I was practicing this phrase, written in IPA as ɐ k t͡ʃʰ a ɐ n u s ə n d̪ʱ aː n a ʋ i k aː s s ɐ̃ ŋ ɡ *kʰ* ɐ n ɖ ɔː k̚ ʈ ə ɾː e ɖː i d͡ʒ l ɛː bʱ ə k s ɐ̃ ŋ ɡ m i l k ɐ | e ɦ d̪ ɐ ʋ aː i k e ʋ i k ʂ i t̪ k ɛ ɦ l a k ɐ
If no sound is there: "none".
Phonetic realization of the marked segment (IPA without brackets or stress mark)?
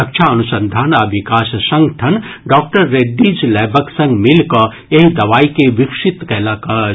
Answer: ʈʰ